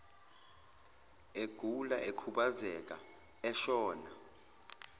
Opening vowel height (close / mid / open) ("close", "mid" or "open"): mid